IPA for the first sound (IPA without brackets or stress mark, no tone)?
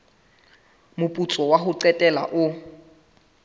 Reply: m